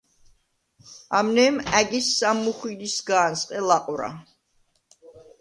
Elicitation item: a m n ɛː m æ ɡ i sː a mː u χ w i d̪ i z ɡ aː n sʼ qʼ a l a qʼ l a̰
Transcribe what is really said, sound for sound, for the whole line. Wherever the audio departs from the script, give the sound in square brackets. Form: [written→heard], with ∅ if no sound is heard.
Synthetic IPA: a m n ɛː m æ ɡ i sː a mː u χ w i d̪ i [z→s] ɡ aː n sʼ qʼ [a→ɛ] l a qʼ [l→ɾ] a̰

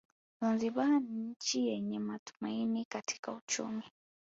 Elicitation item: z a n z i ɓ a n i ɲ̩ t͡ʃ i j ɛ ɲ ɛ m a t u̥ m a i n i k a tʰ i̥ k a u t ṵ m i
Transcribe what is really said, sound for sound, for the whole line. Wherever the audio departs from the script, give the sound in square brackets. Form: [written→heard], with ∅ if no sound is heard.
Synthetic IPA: z a n z i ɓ a n i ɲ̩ t͡ʃ i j ɛ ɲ ɛ m a t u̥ m a i n i k a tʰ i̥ k a u [t→t͡ʃ] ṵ m i

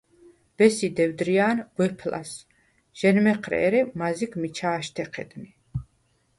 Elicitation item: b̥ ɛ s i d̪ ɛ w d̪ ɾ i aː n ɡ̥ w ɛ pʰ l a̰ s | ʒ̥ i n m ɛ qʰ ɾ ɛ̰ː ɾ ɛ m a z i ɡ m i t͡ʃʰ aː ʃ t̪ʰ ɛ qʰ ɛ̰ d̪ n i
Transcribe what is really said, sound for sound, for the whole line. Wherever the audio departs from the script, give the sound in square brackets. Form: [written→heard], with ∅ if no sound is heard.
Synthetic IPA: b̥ ɛ s i d̪ ɛ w d̪ ɾ i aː n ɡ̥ w ɛ pʰ l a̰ s | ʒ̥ [i→ɛ] n m ɛ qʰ ɾ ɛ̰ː ɾ ɛ m a z i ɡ m i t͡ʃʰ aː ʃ t̪ʰ ɛ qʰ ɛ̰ d̪ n i

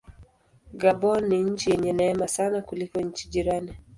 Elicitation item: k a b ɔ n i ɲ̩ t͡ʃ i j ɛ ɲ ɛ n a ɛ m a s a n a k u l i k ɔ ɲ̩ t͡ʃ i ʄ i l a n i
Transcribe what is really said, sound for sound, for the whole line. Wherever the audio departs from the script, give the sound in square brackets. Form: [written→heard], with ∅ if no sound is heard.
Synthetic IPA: [k→ɡ] a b ɔ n i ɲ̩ t͡ʃ i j ɛ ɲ ɛ n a ɛ m a s a n a k u l i k ɔ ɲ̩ t͡ʃ i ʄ i [l→ɾ] a n i

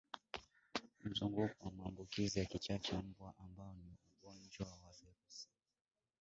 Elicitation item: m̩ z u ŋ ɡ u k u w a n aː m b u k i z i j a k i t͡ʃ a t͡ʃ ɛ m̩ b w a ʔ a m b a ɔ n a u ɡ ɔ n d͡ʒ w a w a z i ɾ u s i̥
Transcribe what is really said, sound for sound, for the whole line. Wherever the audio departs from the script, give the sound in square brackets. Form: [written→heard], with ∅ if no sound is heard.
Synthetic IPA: m̩ z u ŋ ɡ u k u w a [n→m] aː m b u k i z i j a k i t͡ʃ a t͡ʃ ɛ m̩ b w a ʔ a m b a ɔ n [a→i] u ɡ ɔ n d͡ʒ w a w a [z→v] i ɾ u s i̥

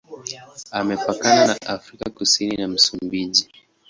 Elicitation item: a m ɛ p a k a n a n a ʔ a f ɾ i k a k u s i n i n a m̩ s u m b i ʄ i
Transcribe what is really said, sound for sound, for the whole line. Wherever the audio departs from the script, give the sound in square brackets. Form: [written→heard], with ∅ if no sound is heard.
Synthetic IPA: a m ɛ p a k a n a n a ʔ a f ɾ i k a k u s i n i n a m̩ s u m b i ʄ i

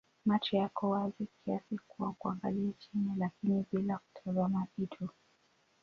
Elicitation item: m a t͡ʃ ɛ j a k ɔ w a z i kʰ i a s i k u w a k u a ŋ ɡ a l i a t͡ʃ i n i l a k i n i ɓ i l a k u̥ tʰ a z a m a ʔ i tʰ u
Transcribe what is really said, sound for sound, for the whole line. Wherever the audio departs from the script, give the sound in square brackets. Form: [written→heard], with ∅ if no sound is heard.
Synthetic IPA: m a t͡ʃ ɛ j a k ɔ w a z i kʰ i a s i k u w a k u a ŋ ɡ a l i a t͡ʃ i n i l a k i n i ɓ i l a k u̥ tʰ a z a m a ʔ i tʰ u

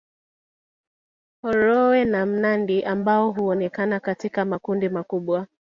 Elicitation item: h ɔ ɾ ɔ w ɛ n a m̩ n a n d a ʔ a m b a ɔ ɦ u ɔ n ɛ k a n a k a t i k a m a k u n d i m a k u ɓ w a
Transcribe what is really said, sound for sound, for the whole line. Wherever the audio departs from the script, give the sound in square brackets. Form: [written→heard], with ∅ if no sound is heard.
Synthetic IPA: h ɔ ɾ ɔ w ɛ n a m̩ n a n d [a→i] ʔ a m b a ɔ ɦ u ɔ n ɛ k a n a k a t i k a m a k u n d i m a k u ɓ w a

